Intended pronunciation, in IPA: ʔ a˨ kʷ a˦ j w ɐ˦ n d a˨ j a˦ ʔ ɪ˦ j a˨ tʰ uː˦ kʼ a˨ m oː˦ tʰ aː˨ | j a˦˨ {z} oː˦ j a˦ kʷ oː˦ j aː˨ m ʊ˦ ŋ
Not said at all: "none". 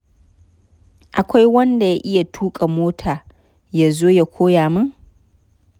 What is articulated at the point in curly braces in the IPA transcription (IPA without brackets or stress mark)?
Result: z